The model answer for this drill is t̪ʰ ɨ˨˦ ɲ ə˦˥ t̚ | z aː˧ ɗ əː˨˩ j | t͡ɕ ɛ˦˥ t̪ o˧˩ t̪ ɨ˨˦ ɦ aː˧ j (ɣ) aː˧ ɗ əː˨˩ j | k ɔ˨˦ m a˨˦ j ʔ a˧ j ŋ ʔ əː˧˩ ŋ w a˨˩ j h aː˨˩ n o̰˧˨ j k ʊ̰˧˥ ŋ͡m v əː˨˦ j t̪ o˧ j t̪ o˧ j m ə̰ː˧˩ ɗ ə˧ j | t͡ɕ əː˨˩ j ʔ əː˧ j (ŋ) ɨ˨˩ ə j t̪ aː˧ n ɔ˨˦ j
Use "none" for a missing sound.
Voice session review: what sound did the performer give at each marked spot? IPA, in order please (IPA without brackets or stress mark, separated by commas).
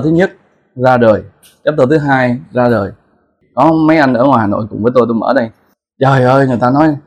z, ŋ